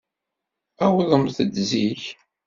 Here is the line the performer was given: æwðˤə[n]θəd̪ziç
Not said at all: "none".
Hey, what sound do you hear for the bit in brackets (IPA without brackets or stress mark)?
m